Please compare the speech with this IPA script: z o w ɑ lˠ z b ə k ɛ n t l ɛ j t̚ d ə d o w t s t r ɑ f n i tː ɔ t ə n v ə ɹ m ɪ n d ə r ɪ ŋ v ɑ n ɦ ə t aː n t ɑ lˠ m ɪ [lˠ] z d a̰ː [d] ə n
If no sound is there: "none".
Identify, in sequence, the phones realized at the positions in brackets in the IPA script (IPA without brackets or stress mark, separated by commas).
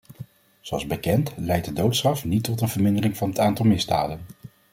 none, d